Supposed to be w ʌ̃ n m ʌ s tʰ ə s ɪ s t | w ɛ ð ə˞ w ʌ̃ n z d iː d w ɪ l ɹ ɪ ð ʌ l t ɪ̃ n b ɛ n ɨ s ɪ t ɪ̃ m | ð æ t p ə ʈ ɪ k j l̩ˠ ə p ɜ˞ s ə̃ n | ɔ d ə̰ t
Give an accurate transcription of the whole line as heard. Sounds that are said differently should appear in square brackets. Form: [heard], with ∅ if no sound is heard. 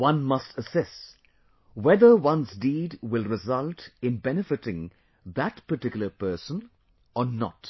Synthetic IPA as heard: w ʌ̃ n m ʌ s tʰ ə s ɪ s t | w ɛ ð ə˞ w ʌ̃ n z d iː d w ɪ l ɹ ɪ [z] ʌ l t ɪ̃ n b ɛ n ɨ [f] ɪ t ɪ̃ [ŋ] | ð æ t p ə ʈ ɪ k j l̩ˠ ə p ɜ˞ s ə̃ n | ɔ [n] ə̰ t